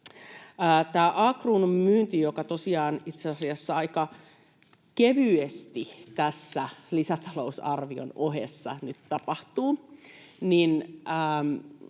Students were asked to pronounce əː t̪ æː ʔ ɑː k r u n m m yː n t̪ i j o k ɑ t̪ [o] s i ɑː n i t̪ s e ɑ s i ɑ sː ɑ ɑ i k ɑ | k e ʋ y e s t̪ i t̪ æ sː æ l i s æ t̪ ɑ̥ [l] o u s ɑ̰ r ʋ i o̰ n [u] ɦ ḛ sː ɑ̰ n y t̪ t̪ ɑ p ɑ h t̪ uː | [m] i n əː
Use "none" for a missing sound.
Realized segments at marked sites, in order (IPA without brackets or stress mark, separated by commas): o, l, o, n